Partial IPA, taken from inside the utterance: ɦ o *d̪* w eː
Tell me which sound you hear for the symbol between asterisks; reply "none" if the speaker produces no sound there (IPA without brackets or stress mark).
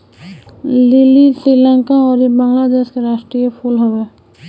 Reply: none